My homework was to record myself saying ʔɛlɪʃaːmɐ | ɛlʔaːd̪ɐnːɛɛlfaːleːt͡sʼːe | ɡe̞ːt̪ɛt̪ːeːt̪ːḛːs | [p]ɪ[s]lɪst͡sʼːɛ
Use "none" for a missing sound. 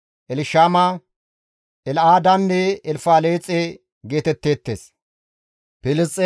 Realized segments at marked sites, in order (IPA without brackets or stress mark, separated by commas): p, none